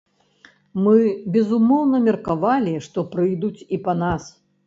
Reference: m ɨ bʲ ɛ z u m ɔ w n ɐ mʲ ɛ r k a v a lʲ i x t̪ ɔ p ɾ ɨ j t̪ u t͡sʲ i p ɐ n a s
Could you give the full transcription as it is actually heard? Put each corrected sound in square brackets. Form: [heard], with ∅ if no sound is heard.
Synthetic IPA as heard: m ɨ bʲ ɛ z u m ɔ w n ɐ mʲ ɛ r k a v a lʲ i [ʂ] t̪ ɔ p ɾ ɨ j [d̪] u t͡sʲ i p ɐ n a s

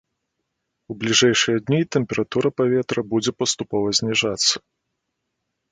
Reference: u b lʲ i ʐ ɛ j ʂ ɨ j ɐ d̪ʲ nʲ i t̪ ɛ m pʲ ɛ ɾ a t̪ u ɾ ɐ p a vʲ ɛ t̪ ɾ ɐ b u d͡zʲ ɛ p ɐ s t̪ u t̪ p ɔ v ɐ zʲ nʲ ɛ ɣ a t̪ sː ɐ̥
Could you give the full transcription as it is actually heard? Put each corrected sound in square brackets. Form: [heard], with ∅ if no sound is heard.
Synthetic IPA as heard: u b lʲ i ʐ ɛ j ʂ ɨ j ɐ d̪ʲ nʲ i t̪ ɛ m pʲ ɛ ɾ a t̪ u ɾ ɐ p a vʲ ɛ t̪ ɾ ɐ b u d͡zʲ ɛ p ɐ s t̪ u [∅] p ɔ v ɐ zʲ nʲ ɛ [ʐ] a t̪ sː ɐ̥

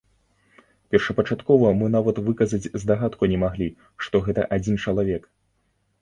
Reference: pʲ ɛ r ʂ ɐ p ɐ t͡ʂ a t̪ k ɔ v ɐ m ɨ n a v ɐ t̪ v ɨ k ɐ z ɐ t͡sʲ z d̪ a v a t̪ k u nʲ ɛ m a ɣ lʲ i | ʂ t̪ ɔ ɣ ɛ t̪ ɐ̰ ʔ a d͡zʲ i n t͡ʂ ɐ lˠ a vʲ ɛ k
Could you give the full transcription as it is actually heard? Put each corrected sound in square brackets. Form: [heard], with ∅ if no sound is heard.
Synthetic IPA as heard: pʲ ɛ r ʂ ɐ p ɐ t͡ʂ a t̪ k ɔ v ɐ m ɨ n a v ɐ t̪ v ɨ k ɐ z ɐ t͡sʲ z d̪ a [ɣ] a t̪ k u nʲ ɛ m a ɣ lʲ i | ʂ t̪ ɔ ɣ ɛ t̪ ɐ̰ ʔ a d͡zʲ i n t͡ʂ ɐ lˠ a vʲ ɛ k

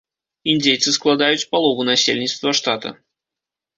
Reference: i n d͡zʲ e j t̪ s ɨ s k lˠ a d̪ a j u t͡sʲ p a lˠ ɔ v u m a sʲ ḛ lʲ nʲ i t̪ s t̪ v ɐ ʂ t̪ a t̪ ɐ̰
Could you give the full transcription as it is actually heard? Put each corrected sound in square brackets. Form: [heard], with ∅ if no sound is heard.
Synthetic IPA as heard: i n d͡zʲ e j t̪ s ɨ s k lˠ a d̪ a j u t͡sʲ p a lˠ ɔ v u [n] a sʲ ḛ lʲ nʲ i t̪ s t̪ v ɐ ʂ t̪ a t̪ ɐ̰

